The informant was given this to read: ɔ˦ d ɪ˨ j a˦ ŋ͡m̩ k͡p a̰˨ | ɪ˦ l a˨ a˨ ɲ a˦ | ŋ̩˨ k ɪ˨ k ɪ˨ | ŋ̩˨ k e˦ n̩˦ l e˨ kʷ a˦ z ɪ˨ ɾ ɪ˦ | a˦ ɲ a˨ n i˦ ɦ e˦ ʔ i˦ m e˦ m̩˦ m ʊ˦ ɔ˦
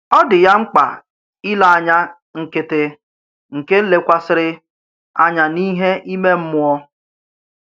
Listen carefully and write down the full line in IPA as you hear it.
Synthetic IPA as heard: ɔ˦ d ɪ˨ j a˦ ŋ͡m̩ k͡p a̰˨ | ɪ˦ l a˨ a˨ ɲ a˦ | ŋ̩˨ k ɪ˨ t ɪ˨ | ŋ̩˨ k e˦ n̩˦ l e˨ kʷ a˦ s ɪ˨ ɾ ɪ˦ | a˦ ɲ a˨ n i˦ ɦ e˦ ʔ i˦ m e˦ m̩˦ m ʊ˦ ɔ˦